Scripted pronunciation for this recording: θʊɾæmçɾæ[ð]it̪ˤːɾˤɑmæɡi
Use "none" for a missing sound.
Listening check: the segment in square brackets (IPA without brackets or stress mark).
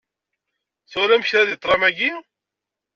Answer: ð